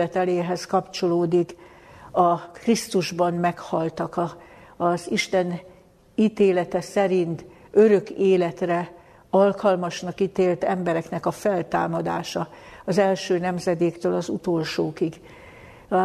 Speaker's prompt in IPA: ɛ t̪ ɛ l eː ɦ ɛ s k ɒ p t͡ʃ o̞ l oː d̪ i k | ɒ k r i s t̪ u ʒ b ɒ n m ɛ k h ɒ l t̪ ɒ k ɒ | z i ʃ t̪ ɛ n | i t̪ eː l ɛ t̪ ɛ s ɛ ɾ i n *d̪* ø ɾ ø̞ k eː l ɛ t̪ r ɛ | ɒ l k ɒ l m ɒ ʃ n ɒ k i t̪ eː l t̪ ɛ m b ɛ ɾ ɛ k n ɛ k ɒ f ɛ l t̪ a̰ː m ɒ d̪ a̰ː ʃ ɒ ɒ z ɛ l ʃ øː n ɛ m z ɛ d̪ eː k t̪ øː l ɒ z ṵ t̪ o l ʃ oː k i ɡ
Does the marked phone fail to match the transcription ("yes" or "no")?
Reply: yes